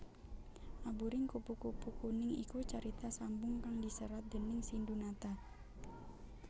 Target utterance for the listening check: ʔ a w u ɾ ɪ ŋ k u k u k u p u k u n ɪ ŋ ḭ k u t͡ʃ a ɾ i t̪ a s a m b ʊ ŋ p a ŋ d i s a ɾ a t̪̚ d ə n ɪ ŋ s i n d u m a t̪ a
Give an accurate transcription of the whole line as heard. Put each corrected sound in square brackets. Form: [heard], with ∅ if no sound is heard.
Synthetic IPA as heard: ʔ a [b] u ɾ ɪ ŋ k u [p] u k u p u k u n ɪ ŋ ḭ k u t͡ʃ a ɾ i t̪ a s a m b ʊ ŋ [k] a ŋ d i s [ə] ɾ a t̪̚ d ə n ɪ ŋ s i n d u [n] a t̪ a